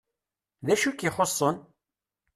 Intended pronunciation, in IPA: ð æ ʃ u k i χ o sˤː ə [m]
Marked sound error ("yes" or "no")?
yes